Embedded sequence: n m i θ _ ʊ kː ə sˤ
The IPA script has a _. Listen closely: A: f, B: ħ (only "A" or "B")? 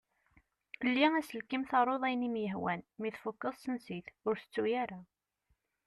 A